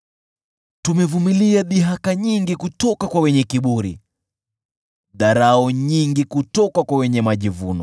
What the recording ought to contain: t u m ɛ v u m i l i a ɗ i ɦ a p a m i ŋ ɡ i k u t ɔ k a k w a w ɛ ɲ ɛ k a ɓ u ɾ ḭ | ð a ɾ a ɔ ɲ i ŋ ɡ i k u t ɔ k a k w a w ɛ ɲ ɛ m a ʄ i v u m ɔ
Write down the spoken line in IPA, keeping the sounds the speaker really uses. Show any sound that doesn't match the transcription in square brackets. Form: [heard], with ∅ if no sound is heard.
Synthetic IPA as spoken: t u m ɛ v u m i l i a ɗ i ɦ a [k] a [ɲ] i ŋ ɡ i k u t ɔ k a k w a w ɛ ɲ ɛ k [i] ɓ u ɾ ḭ | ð a ɾ a ɔ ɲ i ŋ ɡ i k u t ɔ k a k w a w ɛ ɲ ɛ m a ʄ i v u [n] ɔ